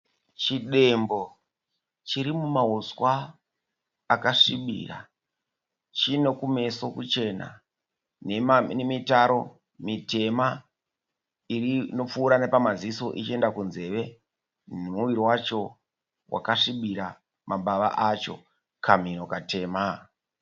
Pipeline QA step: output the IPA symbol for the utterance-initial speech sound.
t͡ʃ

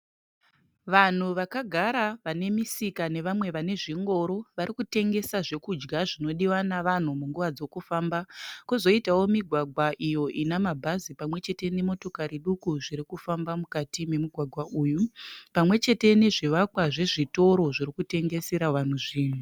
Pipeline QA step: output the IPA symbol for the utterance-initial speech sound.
ʋ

